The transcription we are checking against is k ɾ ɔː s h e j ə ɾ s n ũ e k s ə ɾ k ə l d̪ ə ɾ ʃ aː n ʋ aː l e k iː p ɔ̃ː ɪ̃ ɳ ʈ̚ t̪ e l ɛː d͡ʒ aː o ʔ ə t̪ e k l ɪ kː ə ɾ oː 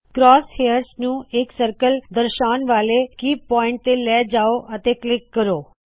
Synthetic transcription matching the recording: k ɾ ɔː s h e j ə ɾ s n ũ e k s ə ɾ k ə l d̪ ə ɾ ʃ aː n ʋ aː l e k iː p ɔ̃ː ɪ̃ ɳ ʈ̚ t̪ e l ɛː d͡ʒ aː o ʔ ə t̪ e k l ɪ kː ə ɾ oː

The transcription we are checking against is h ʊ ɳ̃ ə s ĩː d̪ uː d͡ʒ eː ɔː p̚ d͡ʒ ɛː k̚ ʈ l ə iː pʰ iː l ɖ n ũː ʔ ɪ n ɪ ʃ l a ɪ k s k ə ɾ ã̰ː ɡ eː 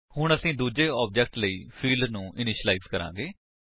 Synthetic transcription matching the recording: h ʊ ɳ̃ ə s ĩː d̪ uː d͡ʒ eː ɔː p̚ d͡ʒ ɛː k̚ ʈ l ə iː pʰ iː l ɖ n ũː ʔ ɪ n ɪ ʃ l a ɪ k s k ə ɾ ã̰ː ɡ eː

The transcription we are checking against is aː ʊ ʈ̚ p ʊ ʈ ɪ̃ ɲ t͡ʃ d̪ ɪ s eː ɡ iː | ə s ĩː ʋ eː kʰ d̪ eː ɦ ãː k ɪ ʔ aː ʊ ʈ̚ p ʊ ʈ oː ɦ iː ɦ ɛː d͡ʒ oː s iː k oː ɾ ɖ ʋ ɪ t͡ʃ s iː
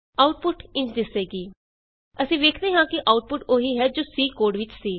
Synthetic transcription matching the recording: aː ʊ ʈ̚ p ʊ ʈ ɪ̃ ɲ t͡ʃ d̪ ɪ s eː ɡ iː | ə s ĩː ʋ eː kʰ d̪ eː ɦ ãː k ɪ ʔ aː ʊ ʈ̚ p ʊ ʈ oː ɦ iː ɦ ɛː d͡ʒ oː s iː k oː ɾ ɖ ʋ ɪ t͡ʃ s iː

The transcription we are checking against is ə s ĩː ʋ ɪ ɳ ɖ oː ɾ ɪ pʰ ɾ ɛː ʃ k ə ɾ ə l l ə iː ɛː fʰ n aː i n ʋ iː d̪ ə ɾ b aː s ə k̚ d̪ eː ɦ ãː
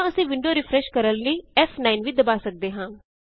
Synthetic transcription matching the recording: ə s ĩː ʋ ɪ ɳ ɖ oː ɾ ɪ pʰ ɾ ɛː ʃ k ə ɾ ə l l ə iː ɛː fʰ n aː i n ʋ iː d̪ ə b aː s ə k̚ d̪ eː ɦ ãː

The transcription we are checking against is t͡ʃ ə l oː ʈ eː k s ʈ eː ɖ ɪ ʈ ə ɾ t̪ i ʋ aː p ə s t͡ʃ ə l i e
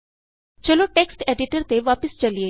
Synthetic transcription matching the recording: t͡ʃ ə l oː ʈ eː k s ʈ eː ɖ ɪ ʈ ə ɾ t̪ e ʋ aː p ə s t͡ʃ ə l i e

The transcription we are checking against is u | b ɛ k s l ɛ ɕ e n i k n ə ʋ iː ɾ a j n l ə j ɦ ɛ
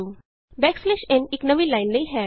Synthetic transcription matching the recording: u | b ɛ k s l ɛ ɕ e n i k n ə ʋ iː l a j n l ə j ɦ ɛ

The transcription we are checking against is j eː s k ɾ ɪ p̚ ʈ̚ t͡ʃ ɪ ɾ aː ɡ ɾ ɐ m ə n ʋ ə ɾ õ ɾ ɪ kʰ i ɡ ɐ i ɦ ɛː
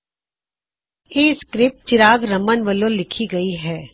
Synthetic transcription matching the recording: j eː s k ɾ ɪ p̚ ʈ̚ t͡ʃ ɪ ɾ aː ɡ ɾ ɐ m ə n ʋ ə l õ l ɪ kʰ i ɡ ɐ i ɦ ɛː

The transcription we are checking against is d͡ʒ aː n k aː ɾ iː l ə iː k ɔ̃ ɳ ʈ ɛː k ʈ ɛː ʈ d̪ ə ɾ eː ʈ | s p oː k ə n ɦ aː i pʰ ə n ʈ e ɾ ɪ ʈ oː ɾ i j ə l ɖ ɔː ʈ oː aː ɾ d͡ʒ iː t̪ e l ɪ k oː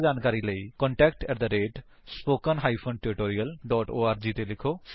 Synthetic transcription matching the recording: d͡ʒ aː n k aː ɾ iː l ə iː k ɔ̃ ɳ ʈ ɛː k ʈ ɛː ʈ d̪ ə ɾ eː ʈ | s p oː k ə n ɦ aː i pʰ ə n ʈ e ɾ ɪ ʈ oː ɾ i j ə l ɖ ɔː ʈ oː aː ɾ d͡ʒ iː t̪ e l ɪ kʰ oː

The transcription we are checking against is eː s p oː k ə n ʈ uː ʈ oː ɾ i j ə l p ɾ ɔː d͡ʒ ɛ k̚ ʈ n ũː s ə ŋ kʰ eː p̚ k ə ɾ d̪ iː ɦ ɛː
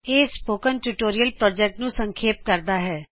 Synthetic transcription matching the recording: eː s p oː k ə n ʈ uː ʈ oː ɾ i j ə l p ɾ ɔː d͡ʒ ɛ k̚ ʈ n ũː s ə ŋ kʰ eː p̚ k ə ɾ d̪ aː ɦ ɛː

